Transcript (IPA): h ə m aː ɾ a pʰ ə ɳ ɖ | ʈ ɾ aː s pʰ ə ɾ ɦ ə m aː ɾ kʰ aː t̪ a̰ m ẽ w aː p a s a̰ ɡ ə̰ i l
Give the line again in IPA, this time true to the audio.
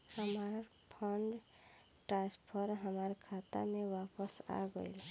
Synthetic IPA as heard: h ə m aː ɾ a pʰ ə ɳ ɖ | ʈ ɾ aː s pʰ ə ɾ ɦ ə m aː ɾ kʰ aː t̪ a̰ m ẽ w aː p ə s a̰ ɡ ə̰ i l